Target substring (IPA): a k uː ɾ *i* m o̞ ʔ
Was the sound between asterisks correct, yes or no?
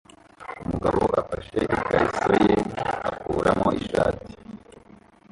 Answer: no